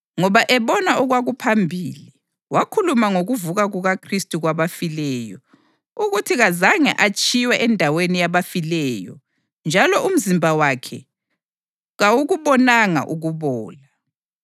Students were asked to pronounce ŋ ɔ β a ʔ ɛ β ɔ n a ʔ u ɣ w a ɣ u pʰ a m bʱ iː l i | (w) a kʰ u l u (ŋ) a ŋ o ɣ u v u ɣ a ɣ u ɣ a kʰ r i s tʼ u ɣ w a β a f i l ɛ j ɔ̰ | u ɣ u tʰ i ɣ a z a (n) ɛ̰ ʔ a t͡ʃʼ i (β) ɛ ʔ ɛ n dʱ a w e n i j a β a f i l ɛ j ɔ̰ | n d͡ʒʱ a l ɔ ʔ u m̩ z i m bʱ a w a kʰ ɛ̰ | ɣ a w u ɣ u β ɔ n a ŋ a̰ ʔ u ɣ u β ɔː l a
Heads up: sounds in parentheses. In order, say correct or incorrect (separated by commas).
correct, incorrect, incorrect, incorrect